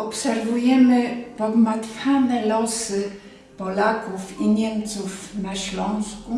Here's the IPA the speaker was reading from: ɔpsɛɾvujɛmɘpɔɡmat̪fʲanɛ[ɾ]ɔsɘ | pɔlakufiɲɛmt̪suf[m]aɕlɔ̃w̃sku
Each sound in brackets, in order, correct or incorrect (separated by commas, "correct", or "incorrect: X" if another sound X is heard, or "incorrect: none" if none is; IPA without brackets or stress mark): incorrect: l, incorrect: n